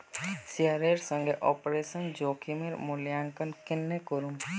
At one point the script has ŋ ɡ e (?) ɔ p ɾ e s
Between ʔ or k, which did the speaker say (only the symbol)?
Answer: ʔ